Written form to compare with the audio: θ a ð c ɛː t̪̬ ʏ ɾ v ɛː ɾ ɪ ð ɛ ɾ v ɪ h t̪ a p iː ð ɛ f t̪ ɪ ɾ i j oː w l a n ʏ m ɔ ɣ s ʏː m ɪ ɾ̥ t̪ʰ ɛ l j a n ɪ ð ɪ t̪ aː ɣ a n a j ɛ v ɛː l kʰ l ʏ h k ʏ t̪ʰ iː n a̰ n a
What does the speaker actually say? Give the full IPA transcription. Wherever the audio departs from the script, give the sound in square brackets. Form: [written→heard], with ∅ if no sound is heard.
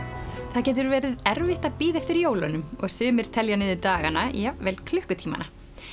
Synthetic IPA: θ a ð c ɛː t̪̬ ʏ ɾ v ɛː ɾ ɪ ð ɛ ɾ v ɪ h t̪ a p iː ð ɛ f t̪ ɪ ɾ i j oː w l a n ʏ m ɔ ɣ s ʏː m ɪ ɾ̥ t̪ʰ ɛ l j a n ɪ ð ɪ t̪ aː ɣ a n a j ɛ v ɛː l kʰ l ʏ h k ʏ t̪ʰ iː [n→m] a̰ n a